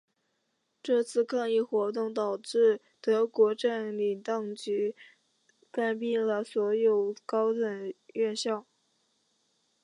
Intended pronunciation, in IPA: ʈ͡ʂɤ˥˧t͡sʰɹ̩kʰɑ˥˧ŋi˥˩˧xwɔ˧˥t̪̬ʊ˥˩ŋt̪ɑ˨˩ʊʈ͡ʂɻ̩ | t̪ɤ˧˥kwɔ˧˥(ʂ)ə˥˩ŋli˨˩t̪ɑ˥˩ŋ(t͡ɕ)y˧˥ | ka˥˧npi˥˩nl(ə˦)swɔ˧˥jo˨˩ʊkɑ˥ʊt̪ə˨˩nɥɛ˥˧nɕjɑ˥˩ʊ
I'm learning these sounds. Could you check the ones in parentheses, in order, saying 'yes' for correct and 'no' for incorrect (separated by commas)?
no, yes, no